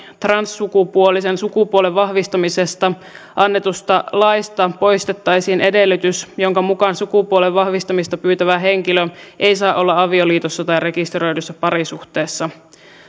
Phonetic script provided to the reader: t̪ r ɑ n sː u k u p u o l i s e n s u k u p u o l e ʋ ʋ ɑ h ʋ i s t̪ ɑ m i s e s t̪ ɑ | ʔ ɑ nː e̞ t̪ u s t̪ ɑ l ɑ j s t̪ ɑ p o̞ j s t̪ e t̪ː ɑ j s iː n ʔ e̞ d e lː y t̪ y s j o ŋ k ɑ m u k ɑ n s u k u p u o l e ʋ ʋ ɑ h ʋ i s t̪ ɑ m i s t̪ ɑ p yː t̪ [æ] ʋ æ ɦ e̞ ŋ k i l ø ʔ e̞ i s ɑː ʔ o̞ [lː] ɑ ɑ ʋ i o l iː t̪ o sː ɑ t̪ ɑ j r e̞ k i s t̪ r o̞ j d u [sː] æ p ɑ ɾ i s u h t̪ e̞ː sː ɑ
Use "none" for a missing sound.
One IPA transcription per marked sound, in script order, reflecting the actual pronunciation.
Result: æ, lː, sː

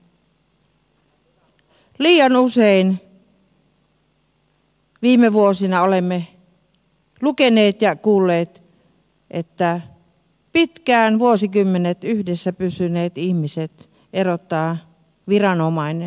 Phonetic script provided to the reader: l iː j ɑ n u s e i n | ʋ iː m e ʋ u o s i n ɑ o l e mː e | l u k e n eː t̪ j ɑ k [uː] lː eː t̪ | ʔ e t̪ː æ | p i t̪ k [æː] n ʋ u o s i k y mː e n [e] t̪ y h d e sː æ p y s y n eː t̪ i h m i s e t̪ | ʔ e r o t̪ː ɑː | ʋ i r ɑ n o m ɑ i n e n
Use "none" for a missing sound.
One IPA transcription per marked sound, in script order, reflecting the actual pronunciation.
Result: uː, æː, e

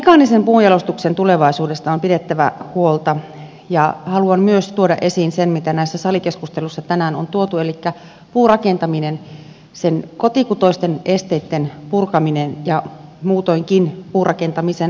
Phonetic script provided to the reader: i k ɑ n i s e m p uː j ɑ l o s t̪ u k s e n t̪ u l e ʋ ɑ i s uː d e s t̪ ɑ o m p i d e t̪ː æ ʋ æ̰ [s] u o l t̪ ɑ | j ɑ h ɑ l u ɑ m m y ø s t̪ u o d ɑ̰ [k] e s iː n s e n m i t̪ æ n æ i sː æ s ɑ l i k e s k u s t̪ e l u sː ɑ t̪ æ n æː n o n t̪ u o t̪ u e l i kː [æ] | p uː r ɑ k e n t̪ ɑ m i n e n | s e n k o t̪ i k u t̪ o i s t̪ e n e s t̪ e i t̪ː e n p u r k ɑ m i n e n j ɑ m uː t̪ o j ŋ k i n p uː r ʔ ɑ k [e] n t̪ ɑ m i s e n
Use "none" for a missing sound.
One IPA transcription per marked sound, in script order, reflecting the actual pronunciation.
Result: h, ʔ, æ, e

